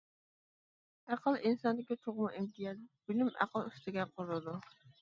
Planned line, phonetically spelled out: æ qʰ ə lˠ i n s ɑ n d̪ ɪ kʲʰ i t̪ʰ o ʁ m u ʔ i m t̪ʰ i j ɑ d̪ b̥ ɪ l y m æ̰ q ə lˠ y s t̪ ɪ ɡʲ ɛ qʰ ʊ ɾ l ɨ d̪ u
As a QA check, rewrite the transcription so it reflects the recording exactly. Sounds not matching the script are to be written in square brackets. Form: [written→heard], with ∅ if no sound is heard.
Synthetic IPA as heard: æ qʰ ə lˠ i n s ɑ n d̪ ɪ [kʲʰ→kʲ] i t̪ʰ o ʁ m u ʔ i m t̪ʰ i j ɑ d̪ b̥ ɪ l y m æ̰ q ə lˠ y s t̪ ɪ ɡʲ ɛ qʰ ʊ ɾ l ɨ d̪ u